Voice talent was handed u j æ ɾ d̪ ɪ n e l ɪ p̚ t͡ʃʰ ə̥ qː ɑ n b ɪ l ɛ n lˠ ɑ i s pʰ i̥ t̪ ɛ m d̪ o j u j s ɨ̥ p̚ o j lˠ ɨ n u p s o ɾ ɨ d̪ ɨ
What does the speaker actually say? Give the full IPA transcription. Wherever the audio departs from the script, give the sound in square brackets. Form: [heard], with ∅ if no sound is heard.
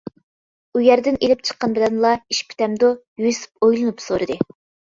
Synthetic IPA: u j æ ɾ d̪ ɪ n e l ɪ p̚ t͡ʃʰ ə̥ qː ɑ n b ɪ l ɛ n lˠ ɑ i [ʃ] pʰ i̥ t̪ ɛ m d̪ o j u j s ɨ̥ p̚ o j lˠ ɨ n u p s o ɾ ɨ d̪ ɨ

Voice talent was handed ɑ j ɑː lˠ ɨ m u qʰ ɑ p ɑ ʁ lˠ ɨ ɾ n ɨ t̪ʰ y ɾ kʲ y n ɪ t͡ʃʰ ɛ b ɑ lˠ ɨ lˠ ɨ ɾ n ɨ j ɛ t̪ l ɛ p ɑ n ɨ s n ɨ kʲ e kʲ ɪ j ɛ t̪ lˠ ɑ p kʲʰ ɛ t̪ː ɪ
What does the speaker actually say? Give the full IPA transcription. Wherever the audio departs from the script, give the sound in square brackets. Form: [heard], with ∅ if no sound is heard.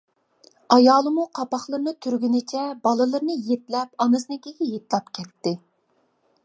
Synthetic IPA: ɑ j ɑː lˠ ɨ m u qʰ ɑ p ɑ [χ] lˠ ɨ ɾ n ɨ t̪ʰ y ɾ [ɡʲ] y n ɪ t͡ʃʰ ɛ b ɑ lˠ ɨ lˠ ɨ ɾ n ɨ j [e] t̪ l ɛ p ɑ n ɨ s n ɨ kʲ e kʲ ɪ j [e] t̪ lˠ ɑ p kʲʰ ɛ t̪ː ɪ

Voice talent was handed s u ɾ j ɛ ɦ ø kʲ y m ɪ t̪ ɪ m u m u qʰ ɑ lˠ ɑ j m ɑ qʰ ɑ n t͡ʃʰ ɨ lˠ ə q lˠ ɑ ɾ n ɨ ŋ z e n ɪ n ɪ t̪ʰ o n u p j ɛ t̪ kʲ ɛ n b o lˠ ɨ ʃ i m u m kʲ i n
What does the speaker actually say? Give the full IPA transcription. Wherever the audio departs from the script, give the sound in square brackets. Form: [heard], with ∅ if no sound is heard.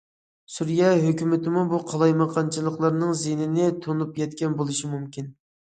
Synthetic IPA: s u ɾ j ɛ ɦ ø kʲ y m ɪ t̪ ɪ m u [b] u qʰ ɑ lˠ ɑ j m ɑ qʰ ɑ n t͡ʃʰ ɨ lˠ ə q lˠ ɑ ɾ n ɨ ŋ z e n ɪ n ɪ t̪ʰ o n u p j ɛ t̪ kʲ ɛ n b o lˠ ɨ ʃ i m u m kʲ i n

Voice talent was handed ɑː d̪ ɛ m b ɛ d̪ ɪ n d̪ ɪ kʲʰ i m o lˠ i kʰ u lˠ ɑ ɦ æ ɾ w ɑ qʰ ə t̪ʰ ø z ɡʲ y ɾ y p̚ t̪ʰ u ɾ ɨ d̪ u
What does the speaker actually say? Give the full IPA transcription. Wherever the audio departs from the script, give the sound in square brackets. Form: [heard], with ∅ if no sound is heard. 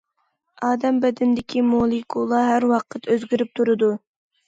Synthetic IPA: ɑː d̪ ɛ m b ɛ d̪ ɪ n d̪ ɪ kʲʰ i m o lˠ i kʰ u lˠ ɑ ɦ æ ɾ w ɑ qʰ ə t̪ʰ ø z ɡʲ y ɾ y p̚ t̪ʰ u ɾ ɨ d̪ u

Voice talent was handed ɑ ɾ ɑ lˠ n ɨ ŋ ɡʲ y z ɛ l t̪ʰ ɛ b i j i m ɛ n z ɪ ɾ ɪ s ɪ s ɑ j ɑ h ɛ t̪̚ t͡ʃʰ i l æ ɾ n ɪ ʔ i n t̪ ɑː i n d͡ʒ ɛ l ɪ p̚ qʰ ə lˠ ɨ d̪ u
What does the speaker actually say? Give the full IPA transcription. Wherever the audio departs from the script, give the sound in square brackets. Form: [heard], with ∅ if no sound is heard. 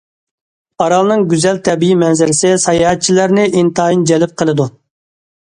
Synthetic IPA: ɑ ɾ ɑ lˠ n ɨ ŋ ɡʲ y z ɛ l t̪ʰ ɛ b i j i m ɛ n z ɪ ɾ ɪ s ɪ s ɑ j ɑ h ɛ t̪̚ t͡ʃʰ i l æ ɾ n ɪ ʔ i n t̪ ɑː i n d͡ʒ ɛ l ɪ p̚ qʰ ə lˠ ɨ d̪ u

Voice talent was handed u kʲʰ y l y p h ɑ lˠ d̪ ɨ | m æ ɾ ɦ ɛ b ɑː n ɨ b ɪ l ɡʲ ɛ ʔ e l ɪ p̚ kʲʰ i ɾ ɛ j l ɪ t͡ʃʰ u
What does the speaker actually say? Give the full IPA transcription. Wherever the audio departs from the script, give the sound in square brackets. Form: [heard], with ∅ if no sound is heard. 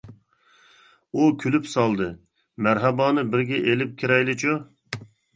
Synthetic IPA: u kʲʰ y l y p [s] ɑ lˠ d̪ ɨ | m æ ɾ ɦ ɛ b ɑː n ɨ b ɪ [ɾ] ɡʲ ɛ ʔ e l ɪ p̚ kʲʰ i ɾ ɛ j l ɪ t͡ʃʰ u

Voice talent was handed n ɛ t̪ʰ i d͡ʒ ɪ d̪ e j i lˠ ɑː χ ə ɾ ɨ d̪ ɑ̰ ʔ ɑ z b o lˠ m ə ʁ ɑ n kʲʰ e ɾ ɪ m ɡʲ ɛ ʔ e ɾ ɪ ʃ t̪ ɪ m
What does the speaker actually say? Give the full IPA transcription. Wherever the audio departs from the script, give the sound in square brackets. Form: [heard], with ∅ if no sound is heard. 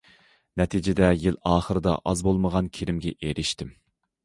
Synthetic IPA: n ɛ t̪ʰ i d͡ʒ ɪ d̪ [ɛ] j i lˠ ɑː χ ə ɾ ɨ d̪ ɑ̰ ʔ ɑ z b o lˠ m ə ʁ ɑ n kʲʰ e ɾ ɪ m ɡʲ ɛ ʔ e ɾ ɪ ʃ t̪ ɪ m

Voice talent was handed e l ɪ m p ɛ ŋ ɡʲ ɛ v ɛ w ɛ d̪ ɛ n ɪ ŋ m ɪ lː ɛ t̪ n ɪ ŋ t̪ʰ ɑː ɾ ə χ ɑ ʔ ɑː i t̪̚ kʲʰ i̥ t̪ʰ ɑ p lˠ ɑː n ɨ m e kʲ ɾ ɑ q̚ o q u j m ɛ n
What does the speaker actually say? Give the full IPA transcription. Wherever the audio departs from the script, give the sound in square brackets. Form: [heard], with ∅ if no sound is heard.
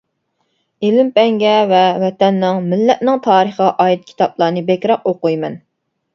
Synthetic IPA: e l ɪ m p ɛ ŋ ɡʲ ɛ v ɛ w ɛ [t̪] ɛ [nː] ɪ ŋ m ɪ lː ɛ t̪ n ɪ ŋ t̪ʰ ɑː ɾ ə χ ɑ ʔ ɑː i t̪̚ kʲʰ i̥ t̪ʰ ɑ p lˠ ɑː n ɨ [b] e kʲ ɾ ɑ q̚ o q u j m ɛ n

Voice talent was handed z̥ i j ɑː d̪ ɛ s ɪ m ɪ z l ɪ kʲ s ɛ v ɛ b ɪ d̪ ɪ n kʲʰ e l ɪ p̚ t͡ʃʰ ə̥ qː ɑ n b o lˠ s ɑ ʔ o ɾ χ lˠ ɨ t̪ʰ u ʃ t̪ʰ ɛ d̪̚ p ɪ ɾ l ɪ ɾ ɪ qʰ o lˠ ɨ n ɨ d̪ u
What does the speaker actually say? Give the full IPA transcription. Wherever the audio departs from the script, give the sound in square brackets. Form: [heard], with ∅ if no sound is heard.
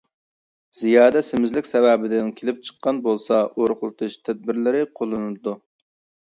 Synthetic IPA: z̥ i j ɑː d̪ ɛ s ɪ m ɪ z l ɪ kʲ s ɛ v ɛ b ɪ d̪ ɪ n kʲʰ e l ɪ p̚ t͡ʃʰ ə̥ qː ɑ n b o lˠ s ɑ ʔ o ɾ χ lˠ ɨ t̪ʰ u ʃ t̪ʰ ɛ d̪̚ [b] ɪ ɾ l ɪ ɾ ɪ qʰ o lˠ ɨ n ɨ d̪ u

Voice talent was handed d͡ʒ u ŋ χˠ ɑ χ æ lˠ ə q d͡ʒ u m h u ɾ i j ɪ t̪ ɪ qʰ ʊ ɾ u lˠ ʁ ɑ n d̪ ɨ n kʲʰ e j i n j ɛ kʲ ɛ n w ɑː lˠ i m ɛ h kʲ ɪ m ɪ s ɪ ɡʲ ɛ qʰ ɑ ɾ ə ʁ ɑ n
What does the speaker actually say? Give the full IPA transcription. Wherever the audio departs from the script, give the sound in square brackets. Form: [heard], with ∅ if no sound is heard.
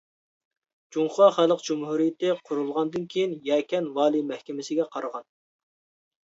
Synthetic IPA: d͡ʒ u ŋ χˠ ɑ χ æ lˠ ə q d͡ʒ u m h u ɾ i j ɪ t̪ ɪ qʰ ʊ ɾ u lˠ ʁ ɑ n d̪ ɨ n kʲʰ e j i n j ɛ kʲ ɛ n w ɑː lˠ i m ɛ h kʲ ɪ m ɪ s ɪ ɡʲ ɛ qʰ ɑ ɾ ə ʁ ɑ n

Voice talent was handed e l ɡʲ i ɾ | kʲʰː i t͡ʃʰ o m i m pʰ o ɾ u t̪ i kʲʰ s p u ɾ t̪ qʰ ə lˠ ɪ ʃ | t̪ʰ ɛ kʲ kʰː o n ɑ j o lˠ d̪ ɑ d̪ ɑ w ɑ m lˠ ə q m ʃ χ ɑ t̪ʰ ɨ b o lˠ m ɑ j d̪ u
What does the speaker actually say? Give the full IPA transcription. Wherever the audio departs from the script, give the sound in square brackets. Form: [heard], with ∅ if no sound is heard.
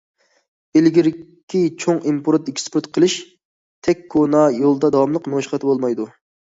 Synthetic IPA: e l ɡʲ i ɾ | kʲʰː i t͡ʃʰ o [ŋ] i m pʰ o ɾ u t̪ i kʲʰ s p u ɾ t̪ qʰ ə lˠ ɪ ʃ | t̪ʰ ɛ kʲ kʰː o n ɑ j o lˠ d̪ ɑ d̪ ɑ w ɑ m lˠ ə q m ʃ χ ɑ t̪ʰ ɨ b o lˠ m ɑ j d̪ u

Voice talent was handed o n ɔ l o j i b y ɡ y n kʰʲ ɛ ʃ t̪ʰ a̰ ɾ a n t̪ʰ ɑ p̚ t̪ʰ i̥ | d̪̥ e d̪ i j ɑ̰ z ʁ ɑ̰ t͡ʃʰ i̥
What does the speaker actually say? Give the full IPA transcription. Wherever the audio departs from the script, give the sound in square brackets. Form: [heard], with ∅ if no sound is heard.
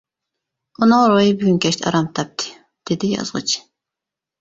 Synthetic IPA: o n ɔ [ɾ] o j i b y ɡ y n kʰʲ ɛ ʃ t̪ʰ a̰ ɾ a [m] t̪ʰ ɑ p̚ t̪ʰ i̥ | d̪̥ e d̪ i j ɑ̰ z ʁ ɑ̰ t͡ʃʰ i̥

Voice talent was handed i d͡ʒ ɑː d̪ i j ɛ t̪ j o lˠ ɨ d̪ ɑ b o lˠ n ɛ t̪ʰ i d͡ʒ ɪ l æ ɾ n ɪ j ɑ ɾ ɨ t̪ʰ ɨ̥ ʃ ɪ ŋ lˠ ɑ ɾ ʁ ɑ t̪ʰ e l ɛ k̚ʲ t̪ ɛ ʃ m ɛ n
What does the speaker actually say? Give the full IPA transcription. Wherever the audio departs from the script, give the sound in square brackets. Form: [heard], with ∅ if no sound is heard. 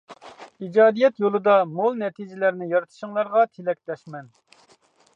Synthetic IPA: i d͡ʒ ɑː d̪ i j ɛ t̪ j o lˠ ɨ d̪ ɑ [m] o lˠ n ɛ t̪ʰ i d͡ʒ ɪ l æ ɾ n ɪ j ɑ ɾ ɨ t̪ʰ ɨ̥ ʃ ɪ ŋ lˠ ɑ ɾ ʁ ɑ t̪ʰ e l ɛ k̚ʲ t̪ ɛ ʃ m ɛ n

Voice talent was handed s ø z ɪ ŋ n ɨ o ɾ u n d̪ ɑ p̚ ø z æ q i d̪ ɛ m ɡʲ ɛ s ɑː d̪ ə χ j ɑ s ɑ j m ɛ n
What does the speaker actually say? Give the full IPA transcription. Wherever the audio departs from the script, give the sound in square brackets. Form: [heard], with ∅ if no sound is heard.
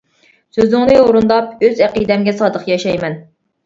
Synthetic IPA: s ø z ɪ ŋ n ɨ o ɾ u n d̪ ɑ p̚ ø z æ q i d̪ ɛ m ɡʲ ɛ s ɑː d̪ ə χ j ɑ [ʃ] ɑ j m ɛ n

